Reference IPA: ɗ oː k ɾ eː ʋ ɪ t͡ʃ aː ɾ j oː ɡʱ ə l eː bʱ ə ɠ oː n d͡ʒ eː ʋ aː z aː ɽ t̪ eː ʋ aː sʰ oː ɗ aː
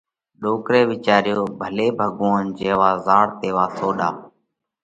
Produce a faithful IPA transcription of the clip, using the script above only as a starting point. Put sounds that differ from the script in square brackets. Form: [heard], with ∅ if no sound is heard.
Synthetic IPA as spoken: ɗ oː k ɾ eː ʋ ɪ t͡ʃ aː ɾ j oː [bʱ] ə l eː bʱ ə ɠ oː n d͡ʒ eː ʋ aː z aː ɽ t̪ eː ʋ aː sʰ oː ɗ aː